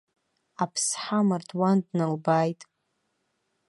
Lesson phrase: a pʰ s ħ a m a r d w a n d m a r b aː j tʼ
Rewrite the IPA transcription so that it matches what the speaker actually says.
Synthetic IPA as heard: a pʰ s ħ a m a r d w a n d n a l b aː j tʼ